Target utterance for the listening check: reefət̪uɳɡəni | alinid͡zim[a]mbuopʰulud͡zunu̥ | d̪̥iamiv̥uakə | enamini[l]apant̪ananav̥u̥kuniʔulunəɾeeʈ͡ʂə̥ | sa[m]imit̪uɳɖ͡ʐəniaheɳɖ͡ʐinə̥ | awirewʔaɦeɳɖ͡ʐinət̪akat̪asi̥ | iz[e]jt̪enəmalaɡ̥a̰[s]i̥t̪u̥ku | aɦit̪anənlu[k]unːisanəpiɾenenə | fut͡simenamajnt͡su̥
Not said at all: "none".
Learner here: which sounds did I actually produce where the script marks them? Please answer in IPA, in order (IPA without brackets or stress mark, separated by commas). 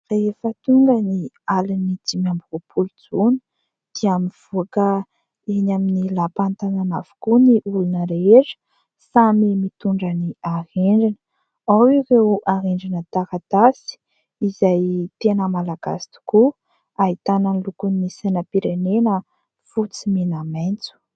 a, l, m, a, s, k